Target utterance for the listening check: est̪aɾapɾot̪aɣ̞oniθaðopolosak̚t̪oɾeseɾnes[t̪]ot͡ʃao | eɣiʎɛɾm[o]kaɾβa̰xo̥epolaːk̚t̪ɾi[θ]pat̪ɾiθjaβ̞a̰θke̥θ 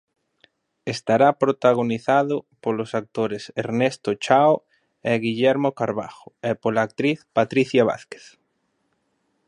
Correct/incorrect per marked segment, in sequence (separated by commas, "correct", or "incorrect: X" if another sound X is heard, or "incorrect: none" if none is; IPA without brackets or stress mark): correct, correct, correct